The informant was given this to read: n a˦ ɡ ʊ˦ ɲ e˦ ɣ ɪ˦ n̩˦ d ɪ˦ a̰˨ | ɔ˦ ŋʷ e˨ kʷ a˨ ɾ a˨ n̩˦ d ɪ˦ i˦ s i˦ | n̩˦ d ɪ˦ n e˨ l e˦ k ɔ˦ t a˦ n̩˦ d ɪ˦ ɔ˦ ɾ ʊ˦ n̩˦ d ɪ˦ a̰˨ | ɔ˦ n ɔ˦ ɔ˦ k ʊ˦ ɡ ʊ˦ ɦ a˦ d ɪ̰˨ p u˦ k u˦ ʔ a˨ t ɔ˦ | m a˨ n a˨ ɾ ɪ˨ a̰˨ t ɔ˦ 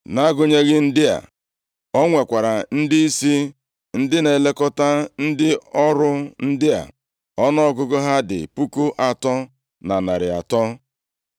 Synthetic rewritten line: n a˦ ɡ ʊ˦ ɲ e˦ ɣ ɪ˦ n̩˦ d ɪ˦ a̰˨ | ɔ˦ ŋʷ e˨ kʷ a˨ ɾ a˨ n̩˦ d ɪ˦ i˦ s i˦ | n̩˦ d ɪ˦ n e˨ l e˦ k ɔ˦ t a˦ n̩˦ d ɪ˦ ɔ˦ ɾ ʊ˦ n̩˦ d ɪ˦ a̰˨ | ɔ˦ n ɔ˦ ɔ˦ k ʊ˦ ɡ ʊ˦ ɦ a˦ d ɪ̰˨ p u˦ k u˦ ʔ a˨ t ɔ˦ | n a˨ n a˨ ɾ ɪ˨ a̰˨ t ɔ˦